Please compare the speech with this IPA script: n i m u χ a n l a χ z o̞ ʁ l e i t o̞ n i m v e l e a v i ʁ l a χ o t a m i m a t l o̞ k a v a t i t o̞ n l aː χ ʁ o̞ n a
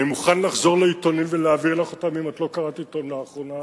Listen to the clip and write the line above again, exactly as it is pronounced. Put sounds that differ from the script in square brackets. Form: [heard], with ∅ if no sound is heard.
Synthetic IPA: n i m u χ a n l a χ z o̞ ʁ l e i t o̞ n i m v e l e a v i ʁ l a χ o t a m i m a t l o̞ k a [ʁ] a t i t o̞ n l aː χ ʁ o̞ n a